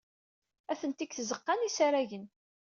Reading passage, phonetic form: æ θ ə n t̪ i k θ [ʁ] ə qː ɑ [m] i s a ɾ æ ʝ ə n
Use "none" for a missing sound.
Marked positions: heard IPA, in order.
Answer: z, n

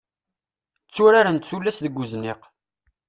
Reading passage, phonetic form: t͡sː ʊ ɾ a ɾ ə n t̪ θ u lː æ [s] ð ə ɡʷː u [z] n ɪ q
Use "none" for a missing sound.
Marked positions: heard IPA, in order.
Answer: s, z

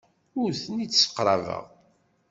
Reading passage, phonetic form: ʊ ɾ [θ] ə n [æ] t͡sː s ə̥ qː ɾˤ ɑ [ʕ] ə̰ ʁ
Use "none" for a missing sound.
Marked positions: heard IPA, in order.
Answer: θ, i, v

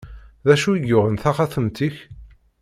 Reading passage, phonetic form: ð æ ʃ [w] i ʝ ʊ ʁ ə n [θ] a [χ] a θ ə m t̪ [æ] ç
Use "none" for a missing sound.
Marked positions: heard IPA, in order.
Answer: u, θ, χ, i

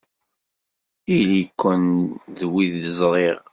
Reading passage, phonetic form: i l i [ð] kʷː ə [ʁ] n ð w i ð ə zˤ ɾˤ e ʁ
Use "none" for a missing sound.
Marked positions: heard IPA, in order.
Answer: none, none

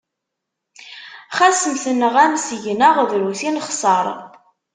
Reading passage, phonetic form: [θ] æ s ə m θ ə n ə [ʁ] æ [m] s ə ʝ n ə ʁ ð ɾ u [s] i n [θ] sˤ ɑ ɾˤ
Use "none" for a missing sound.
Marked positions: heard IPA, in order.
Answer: χ, ʁ, m, θ, χ

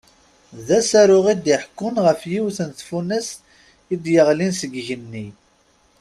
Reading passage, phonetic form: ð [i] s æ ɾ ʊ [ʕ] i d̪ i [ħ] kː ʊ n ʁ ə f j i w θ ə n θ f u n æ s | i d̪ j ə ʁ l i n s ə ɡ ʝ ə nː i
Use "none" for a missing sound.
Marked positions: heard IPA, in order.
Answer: æ, ʁ, ħ

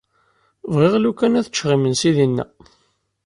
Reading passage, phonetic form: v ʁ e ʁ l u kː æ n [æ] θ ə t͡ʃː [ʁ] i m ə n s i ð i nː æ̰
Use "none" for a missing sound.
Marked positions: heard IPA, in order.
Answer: æ, ʁ

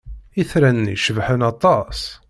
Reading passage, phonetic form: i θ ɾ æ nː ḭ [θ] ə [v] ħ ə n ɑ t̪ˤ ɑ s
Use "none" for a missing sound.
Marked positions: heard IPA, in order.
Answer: ʃ, v

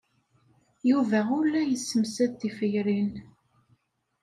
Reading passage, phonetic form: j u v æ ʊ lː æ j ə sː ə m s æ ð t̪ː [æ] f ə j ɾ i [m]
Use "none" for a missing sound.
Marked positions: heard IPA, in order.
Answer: i, n

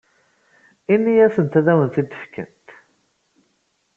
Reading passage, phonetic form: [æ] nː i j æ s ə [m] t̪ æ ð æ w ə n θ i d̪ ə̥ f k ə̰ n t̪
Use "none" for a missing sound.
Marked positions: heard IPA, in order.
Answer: i, n

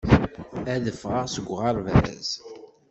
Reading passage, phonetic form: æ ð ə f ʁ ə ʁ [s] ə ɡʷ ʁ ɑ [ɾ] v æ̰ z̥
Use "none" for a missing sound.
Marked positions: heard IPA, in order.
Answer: s, ɾ

